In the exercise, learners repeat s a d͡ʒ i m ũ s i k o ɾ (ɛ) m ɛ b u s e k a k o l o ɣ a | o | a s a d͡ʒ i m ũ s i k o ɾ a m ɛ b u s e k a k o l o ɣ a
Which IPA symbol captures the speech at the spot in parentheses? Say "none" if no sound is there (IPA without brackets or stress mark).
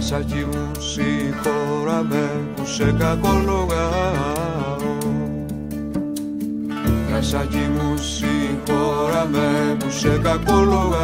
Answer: a